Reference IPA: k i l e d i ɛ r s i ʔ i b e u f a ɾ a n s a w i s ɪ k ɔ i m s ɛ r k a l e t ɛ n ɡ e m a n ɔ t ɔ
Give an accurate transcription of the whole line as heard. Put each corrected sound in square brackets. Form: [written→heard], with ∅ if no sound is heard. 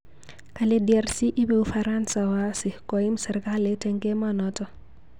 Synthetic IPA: k [i→a] l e d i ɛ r s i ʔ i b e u f a ɾ a n s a w [i→a] s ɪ k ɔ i m s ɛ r k a l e t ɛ [n→ŋ] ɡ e m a n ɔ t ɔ